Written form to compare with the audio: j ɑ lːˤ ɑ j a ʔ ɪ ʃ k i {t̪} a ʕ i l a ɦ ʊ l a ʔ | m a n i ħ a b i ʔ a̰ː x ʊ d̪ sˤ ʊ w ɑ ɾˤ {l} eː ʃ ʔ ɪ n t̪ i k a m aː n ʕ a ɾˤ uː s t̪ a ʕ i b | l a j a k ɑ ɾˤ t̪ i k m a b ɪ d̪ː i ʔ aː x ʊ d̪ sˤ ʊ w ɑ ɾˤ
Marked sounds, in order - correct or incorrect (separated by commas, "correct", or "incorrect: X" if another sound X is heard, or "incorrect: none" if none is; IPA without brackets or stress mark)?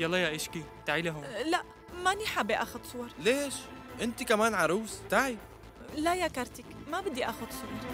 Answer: correct, correct